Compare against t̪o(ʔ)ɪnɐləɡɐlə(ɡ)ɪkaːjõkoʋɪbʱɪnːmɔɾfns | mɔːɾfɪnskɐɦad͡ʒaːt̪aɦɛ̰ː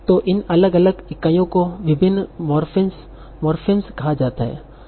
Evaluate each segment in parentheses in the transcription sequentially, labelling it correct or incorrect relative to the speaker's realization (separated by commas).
correct, correct